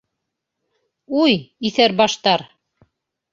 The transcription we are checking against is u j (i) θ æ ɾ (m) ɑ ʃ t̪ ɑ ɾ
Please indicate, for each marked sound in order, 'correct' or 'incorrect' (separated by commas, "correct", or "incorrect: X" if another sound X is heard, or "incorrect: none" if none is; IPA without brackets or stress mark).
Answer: correct, incorrect: b